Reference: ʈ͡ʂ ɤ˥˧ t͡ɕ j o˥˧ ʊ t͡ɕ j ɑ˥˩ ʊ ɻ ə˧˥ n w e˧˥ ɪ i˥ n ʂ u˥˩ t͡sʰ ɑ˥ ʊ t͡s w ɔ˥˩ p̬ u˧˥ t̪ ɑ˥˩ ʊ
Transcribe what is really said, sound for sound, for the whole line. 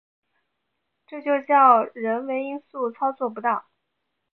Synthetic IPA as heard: ʈ͡ʂ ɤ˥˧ t͡ɕ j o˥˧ ʊ t͡ɕ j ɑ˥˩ ʊ ɻ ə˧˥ n w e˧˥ ɪ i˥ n s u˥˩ t͡sʰ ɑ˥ ʊ t͡s w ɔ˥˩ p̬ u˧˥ t̪ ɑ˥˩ ʊ